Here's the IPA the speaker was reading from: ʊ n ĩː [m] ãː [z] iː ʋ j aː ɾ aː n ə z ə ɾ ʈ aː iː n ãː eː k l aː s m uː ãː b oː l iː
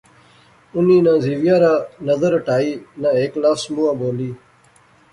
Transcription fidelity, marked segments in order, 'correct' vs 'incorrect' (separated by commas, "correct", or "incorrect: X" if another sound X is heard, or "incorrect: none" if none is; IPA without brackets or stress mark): incorrect: n, correct